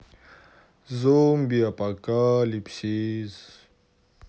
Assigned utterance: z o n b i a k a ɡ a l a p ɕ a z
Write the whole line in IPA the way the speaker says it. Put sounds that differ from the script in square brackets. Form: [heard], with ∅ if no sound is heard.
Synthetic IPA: z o [m] b i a [p] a [k] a l [i] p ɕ [i] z